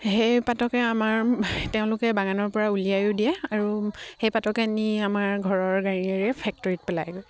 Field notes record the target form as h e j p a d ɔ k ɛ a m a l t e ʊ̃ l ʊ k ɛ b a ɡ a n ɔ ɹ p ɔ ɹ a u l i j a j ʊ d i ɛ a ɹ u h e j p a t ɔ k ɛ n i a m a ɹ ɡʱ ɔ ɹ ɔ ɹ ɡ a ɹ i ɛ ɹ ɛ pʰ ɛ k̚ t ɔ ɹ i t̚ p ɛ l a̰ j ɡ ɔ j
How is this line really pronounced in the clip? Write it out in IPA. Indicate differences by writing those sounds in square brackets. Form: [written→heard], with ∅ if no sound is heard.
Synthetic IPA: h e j p a [d→t] ɔ k ɛ a m a [l→ɹ] t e ʊ̃ l ʊ k ɛ b a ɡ a n ɔ ɹ p ɔ ɹ a u l i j a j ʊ d i ɛ a ɹ u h e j p a t ɔ k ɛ n i a m a ɹ ɡʱ ɔ ɹ ɔ ɹ ɡ a ɹ i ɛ ɹ ɛ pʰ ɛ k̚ t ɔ ɹ i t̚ p ɛ l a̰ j ɡ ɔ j